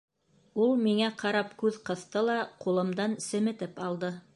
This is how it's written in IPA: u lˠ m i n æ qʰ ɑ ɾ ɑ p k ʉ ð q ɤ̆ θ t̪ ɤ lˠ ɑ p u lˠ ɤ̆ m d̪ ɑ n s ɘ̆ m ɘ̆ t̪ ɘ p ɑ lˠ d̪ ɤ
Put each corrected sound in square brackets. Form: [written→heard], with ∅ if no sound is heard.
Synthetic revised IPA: u lˠ m i [n→ŋ] æ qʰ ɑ ɾ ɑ p k ʉ ð q ɤ̆ θ t̪ ɤ lˠ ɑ [p→q] u lˠ ɤ̆ m d̪ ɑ n s ɘ̆ m ɘ̆ t̪ ɘ p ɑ lˠ d̪ ɤ